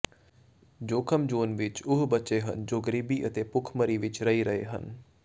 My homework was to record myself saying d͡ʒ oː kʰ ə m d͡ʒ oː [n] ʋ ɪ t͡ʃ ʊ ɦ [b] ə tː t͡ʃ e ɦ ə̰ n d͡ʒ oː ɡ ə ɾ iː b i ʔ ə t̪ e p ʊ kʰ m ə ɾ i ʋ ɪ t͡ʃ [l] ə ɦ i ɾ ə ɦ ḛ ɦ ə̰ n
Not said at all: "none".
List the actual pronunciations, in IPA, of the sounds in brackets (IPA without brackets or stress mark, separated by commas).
n, b, ɾ